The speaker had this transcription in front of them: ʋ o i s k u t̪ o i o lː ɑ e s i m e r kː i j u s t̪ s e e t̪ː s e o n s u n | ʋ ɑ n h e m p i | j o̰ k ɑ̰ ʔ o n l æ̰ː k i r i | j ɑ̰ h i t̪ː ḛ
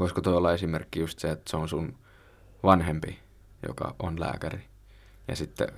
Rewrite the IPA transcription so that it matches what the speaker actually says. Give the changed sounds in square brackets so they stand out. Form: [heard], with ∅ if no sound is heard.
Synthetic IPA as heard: ʋ o i s k [o] t̪ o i o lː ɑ e s i m e r kː i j u s t̪ s e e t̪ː s e o n s u n | ʋ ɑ n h e m p i | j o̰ k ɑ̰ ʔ o n l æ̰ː k [æ] r i | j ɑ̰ [s] i t̪ː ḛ